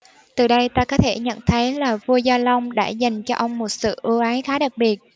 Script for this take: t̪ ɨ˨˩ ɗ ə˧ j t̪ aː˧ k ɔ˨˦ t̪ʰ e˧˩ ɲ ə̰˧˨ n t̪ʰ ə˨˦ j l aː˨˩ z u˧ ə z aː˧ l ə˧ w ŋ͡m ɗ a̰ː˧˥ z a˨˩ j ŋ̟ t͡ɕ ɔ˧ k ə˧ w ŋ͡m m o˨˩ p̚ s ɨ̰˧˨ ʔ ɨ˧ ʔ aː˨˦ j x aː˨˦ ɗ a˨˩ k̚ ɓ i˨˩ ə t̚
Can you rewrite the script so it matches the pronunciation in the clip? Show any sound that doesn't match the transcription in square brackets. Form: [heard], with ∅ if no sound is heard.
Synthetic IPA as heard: t̪ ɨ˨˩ ɗ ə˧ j t̪ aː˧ k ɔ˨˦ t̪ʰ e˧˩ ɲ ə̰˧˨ n t̪ʰ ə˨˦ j l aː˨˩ [v] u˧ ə z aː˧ l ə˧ w ŋ͡m ɗ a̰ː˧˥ z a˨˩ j ŋ̟ t͡ɕ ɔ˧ [ʔ] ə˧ w ŋ͡m m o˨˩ [t̚] s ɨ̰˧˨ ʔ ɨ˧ ʔ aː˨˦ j x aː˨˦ ɗ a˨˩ k̚ ɓ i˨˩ ə t̚